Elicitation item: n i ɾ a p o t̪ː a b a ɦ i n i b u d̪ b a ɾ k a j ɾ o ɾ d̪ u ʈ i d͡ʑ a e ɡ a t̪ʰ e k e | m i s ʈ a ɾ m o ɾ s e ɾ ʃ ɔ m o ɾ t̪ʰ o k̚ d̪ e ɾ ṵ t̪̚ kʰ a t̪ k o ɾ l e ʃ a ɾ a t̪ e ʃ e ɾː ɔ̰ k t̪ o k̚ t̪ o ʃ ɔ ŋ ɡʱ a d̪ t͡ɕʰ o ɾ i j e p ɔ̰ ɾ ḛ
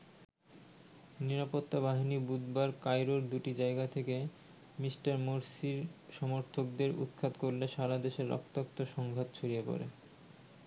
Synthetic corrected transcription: n i ɾ a p o t̪ː a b a ɦ i n i b u d̪ b a ɾ k a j ɾ o ɾ d̪ u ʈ i d͡ʑ a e ɡ a t̪ʰ e k e | m i s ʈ a ɾ m o ɾ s i ɾ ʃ ɔ m o ɾ t̪ʰ o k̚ d̪ e ɾ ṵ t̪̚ kʰ a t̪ k o ɾ l e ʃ a ɾ a d̪ e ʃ e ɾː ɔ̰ k t̪ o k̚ t̪ o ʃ ɔ ŋ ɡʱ a t̪ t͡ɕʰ o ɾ i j e p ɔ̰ ɾ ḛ